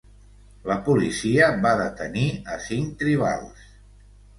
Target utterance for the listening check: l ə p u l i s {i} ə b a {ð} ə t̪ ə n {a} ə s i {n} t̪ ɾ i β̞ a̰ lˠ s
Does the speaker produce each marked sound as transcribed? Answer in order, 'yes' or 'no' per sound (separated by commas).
yes, yes, no, no